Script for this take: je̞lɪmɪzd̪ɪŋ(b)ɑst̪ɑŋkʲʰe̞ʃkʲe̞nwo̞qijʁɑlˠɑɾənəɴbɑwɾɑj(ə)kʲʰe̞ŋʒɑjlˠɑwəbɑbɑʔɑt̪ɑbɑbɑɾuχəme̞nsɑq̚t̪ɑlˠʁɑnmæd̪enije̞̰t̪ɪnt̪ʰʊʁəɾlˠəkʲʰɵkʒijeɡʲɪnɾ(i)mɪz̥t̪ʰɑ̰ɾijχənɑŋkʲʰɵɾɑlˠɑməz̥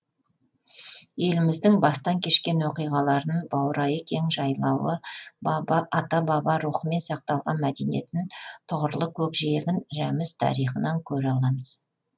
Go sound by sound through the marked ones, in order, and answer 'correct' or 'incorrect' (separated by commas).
correct, correct, incorrect